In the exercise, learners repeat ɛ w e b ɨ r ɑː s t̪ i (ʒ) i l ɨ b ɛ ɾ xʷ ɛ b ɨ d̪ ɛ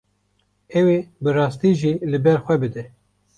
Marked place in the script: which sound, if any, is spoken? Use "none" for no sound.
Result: ʒ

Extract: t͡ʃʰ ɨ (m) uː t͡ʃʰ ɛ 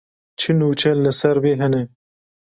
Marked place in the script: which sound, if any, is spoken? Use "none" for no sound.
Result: n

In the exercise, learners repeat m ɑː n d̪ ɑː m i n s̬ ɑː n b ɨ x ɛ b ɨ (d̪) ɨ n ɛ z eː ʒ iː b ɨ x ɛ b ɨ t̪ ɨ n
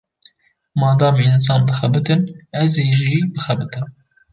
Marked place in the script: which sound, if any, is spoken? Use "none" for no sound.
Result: t̪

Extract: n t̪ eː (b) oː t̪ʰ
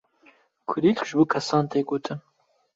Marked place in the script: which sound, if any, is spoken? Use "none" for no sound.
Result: ɡ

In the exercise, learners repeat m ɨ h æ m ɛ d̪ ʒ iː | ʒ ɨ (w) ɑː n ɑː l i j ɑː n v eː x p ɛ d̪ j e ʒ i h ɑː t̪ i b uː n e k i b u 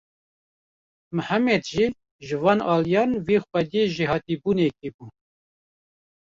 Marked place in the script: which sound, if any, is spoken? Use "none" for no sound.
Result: v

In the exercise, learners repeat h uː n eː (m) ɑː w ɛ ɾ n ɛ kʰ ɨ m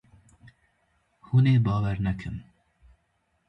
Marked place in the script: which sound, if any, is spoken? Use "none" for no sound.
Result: b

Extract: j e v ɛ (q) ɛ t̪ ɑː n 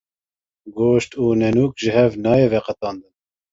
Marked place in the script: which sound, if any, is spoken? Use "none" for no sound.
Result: q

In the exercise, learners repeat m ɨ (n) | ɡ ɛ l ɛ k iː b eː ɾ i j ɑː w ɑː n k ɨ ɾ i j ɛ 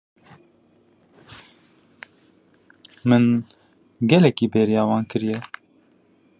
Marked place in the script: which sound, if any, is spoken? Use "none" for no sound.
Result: n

